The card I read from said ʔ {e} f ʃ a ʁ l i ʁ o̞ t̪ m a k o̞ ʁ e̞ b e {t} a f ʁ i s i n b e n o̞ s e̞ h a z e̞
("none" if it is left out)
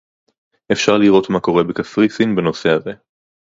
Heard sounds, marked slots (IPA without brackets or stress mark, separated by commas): e, k